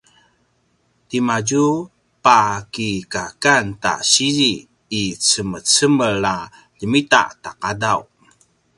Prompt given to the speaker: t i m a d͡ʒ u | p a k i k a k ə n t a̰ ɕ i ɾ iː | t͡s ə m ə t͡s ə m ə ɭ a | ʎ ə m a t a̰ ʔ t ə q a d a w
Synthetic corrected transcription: t i m a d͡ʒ u | p a k i k a k a n t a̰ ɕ i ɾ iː | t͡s ə m ə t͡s ə m ə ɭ a | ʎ ə m i t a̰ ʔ t a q a d a w